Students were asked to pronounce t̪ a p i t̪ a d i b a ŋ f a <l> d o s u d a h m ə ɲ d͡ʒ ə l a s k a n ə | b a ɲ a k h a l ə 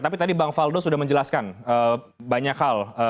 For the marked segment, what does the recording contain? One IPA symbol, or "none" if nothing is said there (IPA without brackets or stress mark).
l